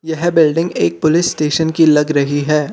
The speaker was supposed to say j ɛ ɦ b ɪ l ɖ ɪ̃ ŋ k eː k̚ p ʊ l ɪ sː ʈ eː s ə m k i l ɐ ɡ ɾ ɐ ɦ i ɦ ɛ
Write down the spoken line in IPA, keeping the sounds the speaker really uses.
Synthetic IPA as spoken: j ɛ ɦ b ɪ l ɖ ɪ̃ ŋ ɡ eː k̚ p ʊ l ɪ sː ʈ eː ʃ ə n k i l ɐ ɡ ɾ ɐ ɦ i ɦ ɛː